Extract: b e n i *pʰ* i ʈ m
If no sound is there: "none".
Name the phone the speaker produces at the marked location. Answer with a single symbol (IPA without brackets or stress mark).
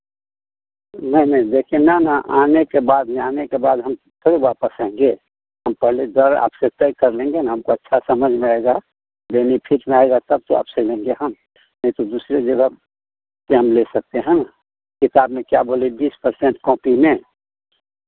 pʰ